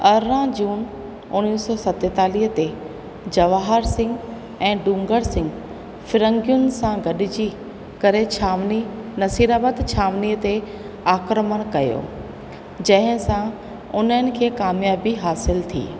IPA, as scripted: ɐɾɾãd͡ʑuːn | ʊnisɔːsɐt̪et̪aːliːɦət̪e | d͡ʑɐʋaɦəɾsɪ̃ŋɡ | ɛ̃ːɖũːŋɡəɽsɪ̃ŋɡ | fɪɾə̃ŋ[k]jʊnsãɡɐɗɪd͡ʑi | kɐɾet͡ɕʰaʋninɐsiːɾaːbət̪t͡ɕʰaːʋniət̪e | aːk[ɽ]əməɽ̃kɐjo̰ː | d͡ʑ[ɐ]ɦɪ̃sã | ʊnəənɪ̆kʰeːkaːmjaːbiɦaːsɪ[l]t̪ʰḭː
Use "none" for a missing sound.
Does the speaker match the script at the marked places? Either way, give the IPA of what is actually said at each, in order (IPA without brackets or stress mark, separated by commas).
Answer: ɡ, ɾ, ɐ̃, l